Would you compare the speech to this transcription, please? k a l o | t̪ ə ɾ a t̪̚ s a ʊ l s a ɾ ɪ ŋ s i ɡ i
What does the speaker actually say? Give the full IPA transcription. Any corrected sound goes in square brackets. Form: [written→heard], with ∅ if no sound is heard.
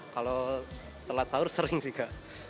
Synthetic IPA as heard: k a l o | t̪ ə [ɾ→l] a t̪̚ s a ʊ [l→r] s [a→ə] ɾ ɪ ŋ s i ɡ [i→a]

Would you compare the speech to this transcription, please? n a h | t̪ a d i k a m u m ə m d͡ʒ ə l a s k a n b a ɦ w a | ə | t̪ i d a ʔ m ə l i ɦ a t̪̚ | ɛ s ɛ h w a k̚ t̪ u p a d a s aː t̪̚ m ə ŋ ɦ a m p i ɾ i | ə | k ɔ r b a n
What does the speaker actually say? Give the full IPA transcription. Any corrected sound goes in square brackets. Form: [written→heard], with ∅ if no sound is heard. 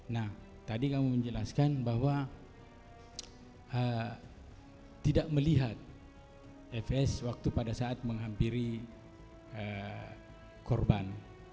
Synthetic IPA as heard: n a h | t̪ a d i k a m u m ə [m→ɲ] d͡ʒ ə l a s k a n b a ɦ w a | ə | t̪ i d a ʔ m ə l i ɦ a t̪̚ | ɛ [s→f] ɛ [h→s] w a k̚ t̪ u p a d a s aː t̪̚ m ə ŋ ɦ a m p i ɾ i | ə | k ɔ r b a n

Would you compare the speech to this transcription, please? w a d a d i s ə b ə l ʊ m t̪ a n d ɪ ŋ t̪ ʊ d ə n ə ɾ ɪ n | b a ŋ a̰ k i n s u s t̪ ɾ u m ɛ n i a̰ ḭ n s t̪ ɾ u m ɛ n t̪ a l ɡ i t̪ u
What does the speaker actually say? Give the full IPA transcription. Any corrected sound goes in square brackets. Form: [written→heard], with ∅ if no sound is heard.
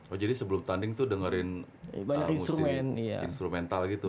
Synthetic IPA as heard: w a [d→d͡ʒ] a d i s ə b ə l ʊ m t̪ a n d ɪ ŋ t̪ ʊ d ə [n→ŋ] ə ɾ ɪ n | b a [ŋ→ɲ] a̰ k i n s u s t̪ ɾ u m ɛ n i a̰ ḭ n s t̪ ɾ u m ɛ n t̪ a l ɡ i t̪ u

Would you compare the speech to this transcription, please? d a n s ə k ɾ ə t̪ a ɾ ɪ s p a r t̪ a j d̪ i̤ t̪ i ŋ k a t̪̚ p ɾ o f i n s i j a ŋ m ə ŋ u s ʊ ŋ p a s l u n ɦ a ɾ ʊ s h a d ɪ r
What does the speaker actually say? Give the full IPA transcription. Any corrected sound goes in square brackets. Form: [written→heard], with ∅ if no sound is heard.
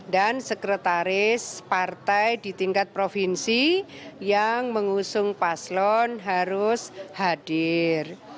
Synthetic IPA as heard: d a n s ə k ɾ ə t̪ a ɾ ɪ s p a r t̪ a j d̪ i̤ t̪ i ŋ k a t̪̚ p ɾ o f i n s i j a ŋ m ə ŋ u s ʊ ŋ p a s l [u→ɔ] n ɦ a ɾ ʊ s h a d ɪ r

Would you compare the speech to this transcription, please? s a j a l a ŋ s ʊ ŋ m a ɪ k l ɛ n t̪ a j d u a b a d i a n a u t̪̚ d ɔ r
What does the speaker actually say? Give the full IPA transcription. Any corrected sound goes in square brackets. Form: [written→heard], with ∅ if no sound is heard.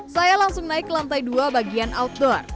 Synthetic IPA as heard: s a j a l a ŋ s ʊ ŋ [m→n] a ɪ k l [ɛ→a] n t̪ a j d u a b a [d→ɡ] i a n a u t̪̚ d ɔ r

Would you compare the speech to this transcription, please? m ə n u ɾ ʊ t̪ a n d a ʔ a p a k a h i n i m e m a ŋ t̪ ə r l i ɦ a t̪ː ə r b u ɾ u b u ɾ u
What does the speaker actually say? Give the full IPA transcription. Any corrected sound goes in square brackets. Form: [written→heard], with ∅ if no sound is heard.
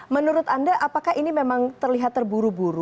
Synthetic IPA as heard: m ə n u ɾ ʊ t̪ a n d a ʔ a p a k a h i n i m e m a ŋ t̪ ə r l i ɦ a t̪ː ə r b u ɾ u b u ɾ u

